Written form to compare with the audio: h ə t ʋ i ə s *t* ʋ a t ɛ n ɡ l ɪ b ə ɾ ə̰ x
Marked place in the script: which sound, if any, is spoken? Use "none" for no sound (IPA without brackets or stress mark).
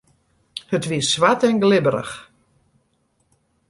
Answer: s